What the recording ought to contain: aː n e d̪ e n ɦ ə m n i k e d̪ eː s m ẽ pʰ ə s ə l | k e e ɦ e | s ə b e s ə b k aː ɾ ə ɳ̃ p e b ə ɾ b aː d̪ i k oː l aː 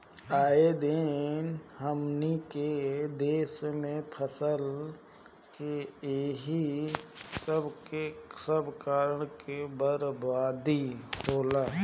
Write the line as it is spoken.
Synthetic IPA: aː e d̪ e n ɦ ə m n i k e d̪ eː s m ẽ pʰ ə s ə l | k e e ɦ i | s ə b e s ə b k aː ɾ ə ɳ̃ k e b ə ɾ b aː d̪ i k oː l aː